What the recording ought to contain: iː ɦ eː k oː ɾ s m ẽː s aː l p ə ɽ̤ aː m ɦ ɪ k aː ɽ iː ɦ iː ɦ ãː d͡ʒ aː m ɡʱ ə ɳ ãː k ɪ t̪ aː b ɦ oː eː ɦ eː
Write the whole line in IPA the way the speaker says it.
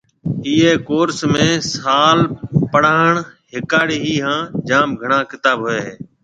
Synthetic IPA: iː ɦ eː k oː ɾ s m ẽː s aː l p ə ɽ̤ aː ɳ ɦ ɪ k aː ɽ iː ɦ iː ɦ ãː d͡ʒ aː m ɡʱ ə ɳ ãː k ɪ t̪ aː b ɦ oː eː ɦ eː